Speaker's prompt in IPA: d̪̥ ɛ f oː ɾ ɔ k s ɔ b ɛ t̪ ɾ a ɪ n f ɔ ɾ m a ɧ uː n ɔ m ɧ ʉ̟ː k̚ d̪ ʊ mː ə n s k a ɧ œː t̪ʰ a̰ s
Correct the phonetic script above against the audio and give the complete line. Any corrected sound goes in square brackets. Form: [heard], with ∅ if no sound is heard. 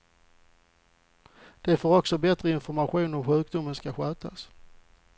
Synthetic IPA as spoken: d̪̥ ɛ f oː ɾ ɔ k s ɔ b ɛ t̪ ɾ [ə] ɪ n f ɔ ɾ m a ɧ uː n ɔ m ɧ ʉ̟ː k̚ d̪ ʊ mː ə n s k a ɧ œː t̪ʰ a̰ s